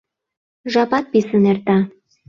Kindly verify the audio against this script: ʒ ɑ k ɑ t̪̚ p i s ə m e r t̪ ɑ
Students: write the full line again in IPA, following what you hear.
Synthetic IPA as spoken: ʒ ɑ p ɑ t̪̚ p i s ə n e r t̪ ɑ